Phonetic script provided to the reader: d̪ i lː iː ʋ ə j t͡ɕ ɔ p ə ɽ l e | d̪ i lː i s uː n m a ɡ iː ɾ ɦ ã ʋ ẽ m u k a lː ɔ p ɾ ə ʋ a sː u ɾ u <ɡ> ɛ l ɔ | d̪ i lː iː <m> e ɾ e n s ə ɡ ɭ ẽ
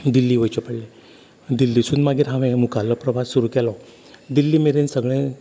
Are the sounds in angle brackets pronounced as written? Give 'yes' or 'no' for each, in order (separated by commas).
no, yes